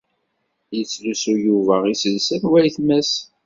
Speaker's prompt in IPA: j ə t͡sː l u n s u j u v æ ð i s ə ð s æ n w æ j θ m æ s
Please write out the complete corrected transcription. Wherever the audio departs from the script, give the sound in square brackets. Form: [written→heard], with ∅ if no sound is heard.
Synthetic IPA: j ə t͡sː l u [n→∅] s u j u v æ [ð→ʁ] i s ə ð s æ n w æ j θ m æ s